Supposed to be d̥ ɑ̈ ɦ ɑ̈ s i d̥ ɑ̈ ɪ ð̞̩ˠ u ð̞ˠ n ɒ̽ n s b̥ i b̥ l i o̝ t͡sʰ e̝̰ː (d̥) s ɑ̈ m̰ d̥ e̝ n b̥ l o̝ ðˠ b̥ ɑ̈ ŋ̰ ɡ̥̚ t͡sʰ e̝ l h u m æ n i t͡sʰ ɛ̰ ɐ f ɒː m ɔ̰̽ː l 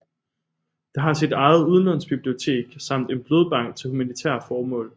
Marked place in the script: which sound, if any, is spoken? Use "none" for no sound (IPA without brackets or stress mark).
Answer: ɡ̥